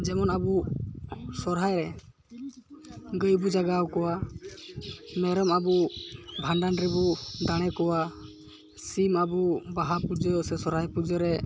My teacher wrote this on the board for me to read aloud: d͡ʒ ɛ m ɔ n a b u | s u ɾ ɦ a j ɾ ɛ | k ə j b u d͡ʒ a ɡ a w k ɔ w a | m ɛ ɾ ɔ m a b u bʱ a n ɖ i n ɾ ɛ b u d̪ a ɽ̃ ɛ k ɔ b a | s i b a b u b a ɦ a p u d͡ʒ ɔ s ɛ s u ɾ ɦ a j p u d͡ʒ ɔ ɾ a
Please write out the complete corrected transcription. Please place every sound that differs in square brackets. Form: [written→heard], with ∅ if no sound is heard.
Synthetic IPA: d͡ʒ ɛ m ɔ n a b u | s [u→ɔ] ɾ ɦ a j ɾ ɛ | [k→ɡ] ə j b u d͡ʒ a ɡ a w k ɔ w a | m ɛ ɾ ɔ m a b u bʱ a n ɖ [i→a] n ɾ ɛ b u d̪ a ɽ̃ ɛ k ɔ [b→w] a | s i [b→m] a b u b a ɦ a p u d͡ʒ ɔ s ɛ s [u→ɔ] ɾ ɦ a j p u d͡ʒ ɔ ɾ [a→ɛ]